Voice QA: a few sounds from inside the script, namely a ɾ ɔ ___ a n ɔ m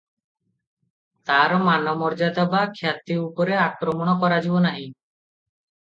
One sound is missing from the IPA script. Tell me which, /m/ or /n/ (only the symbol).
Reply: m